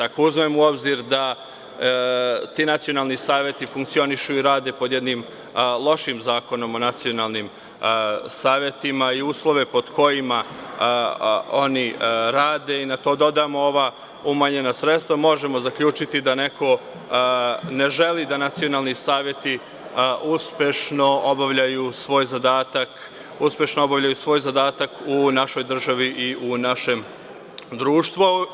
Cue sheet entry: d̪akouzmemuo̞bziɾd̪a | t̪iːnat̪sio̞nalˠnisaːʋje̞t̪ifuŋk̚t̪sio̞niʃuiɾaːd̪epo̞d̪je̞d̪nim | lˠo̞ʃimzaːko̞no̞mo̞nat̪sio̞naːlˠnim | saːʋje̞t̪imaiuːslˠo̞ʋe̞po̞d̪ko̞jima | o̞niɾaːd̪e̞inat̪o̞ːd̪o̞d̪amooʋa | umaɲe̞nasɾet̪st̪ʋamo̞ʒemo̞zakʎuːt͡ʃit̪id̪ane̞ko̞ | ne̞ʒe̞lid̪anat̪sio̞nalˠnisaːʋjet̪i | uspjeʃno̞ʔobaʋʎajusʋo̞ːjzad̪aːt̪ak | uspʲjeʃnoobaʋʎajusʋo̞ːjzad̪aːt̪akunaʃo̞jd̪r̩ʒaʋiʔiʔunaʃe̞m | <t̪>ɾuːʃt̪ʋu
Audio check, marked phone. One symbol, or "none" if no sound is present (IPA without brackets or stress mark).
d̪